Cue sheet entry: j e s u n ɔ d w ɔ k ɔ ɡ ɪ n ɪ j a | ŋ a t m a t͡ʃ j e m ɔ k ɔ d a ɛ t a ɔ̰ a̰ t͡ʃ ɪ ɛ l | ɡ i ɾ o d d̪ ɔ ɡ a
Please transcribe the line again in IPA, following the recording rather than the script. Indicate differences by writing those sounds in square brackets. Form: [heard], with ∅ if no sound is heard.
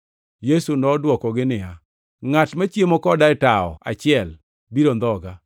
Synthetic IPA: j e s u n ɔ d w ɔ k ɔ ɡ ɪ n ɪ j a | ŋ a t m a t͡ʃ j e m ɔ k ɔ d a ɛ t a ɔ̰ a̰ t͡ʃ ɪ ɛ l | [b] i ɾ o [n] d̪ ɔ ɡ a